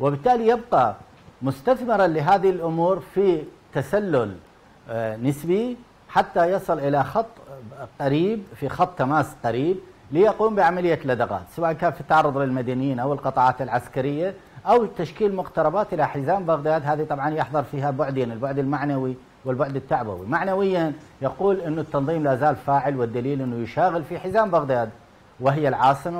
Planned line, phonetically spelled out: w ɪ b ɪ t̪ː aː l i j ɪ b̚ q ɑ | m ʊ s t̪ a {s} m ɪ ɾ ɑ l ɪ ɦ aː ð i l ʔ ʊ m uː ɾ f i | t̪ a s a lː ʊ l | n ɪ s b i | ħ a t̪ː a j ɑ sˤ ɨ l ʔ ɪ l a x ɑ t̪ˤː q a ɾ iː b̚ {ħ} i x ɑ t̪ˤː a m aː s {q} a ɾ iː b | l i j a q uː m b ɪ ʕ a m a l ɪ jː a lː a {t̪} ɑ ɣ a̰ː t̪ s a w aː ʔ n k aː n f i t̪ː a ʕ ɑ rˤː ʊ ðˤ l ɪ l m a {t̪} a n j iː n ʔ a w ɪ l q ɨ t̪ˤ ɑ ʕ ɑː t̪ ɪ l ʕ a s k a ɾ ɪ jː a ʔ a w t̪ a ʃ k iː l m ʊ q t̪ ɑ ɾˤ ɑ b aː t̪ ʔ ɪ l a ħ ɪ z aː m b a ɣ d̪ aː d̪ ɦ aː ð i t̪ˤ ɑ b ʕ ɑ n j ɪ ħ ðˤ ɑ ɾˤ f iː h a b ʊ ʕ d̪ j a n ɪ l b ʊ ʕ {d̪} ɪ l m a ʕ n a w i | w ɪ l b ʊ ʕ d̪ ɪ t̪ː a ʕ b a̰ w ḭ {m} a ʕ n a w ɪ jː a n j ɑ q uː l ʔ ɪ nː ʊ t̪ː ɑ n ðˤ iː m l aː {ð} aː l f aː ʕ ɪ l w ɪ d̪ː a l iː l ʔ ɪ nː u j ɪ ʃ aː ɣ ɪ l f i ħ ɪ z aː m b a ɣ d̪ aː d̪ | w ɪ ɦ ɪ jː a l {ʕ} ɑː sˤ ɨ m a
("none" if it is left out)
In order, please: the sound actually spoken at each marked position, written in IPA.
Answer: θ, f, q, d̪, d̪, d̪, m, z, ʕ

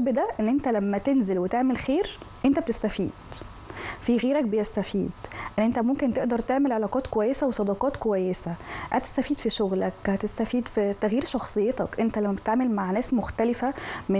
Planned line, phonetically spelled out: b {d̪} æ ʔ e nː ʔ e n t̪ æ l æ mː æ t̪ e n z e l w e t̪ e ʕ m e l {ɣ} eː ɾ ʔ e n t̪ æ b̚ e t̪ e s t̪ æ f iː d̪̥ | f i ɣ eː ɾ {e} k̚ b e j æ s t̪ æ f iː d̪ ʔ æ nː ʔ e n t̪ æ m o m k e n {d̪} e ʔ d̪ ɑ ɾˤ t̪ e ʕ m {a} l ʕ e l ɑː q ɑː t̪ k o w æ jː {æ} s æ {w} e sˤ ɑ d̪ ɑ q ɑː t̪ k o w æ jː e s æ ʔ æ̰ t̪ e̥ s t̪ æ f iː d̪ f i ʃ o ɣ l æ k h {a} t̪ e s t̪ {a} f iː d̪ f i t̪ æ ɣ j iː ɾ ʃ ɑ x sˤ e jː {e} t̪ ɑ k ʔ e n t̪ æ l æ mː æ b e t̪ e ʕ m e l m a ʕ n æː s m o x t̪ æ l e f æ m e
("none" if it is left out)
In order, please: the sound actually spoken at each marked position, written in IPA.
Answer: d̪, x, æ, t̪, e, e, w, æ, æ, e

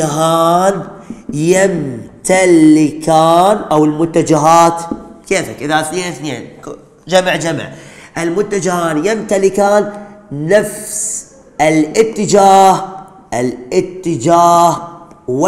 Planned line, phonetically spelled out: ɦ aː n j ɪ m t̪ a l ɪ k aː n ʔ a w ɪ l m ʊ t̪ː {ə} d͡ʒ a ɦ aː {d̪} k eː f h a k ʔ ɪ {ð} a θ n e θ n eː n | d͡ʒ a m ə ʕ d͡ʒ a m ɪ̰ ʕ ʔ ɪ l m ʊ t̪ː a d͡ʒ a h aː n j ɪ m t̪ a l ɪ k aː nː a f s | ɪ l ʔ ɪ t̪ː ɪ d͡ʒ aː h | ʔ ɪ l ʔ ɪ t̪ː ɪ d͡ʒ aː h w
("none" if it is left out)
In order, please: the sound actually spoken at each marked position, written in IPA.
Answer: a, t̪, ð

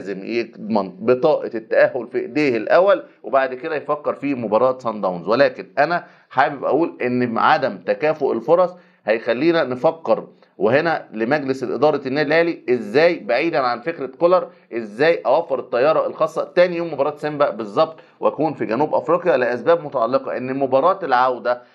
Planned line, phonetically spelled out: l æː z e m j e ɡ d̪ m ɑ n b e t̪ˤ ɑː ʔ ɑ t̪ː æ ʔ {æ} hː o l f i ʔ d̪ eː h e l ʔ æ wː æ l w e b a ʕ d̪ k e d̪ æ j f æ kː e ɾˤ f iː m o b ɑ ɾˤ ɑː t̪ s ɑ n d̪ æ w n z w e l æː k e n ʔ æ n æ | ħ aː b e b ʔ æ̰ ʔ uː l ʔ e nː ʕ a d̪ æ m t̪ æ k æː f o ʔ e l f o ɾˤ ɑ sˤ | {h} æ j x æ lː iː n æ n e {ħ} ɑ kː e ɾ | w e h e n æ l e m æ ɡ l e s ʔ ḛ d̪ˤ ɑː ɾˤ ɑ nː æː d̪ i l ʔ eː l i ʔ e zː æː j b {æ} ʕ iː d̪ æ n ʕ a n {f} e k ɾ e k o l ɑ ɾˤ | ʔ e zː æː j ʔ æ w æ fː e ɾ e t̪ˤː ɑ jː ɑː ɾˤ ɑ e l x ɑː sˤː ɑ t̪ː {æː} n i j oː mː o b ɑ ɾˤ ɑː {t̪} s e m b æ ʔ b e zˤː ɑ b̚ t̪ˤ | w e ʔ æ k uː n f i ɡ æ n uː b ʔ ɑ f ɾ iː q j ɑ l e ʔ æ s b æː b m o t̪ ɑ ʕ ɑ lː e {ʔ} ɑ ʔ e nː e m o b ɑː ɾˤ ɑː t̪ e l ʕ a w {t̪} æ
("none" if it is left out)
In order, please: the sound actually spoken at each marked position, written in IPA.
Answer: æ, h, f, a, f, æː, t̪, q, d̪

